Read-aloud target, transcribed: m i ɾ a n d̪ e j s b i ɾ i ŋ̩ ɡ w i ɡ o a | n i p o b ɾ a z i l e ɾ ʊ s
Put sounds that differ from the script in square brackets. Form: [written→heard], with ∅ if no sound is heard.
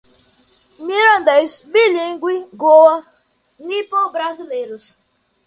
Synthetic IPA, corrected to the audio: m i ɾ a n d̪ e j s b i [ɾ→l] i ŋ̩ ɡ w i ɡ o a | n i p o b ɾ a z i l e ɾ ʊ s